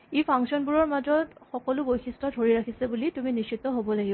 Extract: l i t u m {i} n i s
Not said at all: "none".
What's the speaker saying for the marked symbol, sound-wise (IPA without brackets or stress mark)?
i